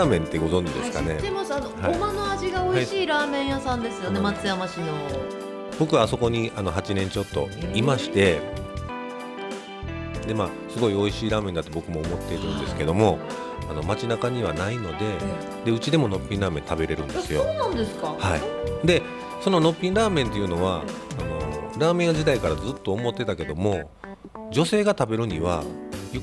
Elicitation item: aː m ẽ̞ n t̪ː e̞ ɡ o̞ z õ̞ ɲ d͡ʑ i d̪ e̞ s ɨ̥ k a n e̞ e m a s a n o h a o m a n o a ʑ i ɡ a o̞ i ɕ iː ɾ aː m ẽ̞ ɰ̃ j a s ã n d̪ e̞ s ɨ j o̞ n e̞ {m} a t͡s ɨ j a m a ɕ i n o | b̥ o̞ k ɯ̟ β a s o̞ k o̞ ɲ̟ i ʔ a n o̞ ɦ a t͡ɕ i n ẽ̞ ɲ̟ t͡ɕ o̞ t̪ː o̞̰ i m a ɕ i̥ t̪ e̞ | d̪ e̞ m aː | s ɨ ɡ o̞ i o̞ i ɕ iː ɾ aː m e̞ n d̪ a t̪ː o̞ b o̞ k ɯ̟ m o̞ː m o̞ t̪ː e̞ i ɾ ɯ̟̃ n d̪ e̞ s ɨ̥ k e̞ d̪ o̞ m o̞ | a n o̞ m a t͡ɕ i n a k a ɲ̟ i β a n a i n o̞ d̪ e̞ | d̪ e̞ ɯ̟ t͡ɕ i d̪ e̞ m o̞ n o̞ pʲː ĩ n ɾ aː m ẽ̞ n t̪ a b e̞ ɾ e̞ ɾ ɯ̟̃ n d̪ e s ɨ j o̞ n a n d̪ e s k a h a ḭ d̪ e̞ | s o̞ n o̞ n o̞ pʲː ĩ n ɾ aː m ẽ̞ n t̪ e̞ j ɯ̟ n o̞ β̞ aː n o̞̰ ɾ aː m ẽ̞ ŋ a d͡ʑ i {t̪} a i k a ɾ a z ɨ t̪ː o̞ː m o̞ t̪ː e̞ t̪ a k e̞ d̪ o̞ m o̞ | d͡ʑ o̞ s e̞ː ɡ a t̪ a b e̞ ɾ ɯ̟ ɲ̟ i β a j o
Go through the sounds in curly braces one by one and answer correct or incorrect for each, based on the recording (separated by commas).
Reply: correct, incorrect